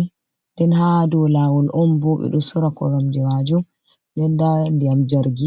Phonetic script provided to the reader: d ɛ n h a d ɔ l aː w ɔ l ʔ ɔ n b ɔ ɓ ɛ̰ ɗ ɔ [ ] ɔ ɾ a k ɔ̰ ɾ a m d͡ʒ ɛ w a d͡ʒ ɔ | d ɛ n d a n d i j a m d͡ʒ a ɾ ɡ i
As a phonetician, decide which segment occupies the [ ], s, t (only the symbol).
s